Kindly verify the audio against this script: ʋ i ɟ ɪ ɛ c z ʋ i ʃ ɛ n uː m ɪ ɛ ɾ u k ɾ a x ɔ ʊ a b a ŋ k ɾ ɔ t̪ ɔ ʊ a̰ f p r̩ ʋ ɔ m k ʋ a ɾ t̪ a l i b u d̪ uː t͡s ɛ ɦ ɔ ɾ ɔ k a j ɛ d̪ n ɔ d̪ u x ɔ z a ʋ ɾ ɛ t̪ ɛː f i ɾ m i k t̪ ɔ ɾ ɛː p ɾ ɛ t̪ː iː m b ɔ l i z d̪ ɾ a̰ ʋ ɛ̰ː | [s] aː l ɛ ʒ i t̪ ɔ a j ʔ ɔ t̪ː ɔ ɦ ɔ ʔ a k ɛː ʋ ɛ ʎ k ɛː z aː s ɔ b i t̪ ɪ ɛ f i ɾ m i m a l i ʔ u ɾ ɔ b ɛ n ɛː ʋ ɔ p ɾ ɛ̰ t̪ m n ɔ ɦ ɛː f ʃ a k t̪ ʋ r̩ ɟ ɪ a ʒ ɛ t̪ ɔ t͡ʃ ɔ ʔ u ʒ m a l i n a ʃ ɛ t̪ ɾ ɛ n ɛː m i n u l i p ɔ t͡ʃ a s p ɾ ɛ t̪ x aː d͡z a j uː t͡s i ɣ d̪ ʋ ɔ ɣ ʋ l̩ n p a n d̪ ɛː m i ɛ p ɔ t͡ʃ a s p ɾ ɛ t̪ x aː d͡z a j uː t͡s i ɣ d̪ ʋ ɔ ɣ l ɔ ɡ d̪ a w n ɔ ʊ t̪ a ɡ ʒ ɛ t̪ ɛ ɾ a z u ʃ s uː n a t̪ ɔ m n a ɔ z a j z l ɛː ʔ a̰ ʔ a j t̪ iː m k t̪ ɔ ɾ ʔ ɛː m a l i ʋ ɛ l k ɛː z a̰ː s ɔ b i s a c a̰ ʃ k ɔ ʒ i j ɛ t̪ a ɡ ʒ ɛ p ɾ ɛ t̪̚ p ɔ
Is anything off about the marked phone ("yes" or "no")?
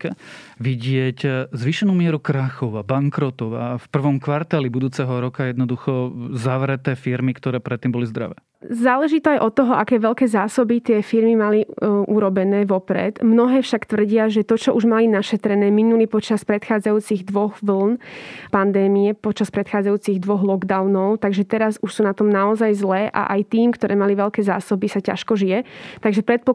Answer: yes